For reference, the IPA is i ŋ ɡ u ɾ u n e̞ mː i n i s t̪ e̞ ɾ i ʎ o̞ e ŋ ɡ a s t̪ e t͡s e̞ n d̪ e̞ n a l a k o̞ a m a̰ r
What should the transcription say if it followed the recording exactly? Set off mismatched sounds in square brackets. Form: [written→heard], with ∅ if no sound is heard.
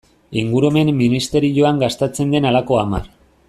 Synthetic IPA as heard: i ŋ ɡ u ɾ u [n→m] e̞ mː i n i s t̪ e̞ ɾ i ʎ o̞ [e→a] ŋ ɡ a s t̪ e t͡s e̞ n d̪ e̞ n a l a k o̞ a m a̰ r